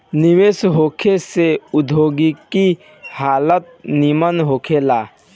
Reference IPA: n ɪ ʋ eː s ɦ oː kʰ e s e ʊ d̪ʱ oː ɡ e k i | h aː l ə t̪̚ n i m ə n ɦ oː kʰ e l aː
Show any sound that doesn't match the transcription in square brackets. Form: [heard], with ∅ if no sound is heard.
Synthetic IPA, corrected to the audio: n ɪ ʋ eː s ɦ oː kʰ e s e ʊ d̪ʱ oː ɡ [i] k i | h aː l ə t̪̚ n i m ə n ɦ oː kʰ e l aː